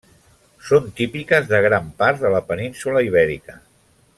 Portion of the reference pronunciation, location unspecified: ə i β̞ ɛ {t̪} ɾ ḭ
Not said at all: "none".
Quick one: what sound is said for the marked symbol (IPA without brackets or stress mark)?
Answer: none